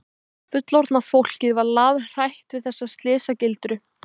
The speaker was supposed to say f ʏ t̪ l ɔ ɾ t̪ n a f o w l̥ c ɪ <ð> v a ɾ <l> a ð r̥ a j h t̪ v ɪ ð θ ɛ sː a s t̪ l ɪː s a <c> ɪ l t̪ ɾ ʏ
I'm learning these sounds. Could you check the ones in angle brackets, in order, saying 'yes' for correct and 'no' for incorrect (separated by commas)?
yes, yes, yes